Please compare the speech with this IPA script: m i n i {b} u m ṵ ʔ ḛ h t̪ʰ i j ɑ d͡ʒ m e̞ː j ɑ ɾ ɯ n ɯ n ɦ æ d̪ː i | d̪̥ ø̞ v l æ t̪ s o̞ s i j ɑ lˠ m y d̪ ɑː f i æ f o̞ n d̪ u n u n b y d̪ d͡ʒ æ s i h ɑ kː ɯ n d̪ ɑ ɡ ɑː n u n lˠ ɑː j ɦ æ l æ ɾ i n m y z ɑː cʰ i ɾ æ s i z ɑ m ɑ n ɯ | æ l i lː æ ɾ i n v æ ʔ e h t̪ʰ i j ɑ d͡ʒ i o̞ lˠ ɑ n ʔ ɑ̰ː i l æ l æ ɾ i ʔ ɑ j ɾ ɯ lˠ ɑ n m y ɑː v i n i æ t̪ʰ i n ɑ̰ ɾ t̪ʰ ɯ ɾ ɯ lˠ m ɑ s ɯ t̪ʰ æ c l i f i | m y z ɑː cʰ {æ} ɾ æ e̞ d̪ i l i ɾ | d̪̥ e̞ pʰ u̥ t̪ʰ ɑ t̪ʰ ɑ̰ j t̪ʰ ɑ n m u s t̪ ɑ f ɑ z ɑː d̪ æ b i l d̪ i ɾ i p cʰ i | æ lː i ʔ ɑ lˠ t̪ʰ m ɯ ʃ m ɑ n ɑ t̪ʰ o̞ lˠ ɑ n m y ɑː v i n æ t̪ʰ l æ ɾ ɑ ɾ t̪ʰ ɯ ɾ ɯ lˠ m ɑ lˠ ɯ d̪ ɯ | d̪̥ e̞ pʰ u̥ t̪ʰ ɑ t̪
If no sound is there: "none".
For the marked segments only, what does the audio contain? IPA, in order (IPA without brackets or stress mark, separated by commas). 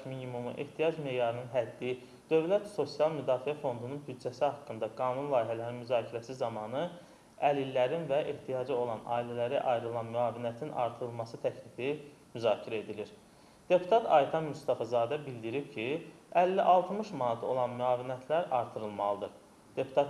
m, i